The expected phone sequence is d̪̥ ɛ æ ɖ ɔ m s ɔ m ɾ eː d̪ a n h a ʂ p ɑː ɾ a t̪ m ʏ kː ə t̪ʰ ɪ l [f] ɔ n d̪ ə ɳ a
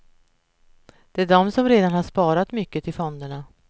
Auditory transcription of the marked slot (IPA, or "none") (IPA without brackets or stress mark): f